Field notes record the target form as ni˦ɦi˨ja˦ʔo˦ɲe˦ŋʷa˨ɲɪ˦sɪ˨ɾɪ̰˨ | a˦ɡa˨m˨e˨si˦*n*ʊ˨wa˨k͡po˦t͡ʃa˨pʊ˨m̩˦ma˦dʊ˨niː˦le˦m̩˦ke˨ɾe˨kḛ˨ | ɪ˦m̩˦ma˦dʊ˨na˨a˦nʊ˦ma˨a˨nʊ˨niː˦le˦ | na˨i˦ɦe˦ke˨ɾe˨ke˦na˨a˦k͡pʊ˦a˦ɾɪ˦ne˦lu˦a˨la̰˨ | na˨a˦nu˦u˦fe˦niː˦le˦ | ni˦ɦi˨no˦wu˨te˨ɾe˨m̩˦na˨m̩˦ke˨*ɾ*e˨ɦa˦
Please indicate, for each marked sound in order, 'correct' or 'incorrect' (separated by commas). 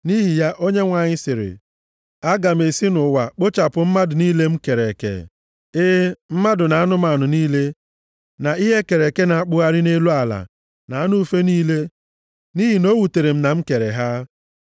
correct, correct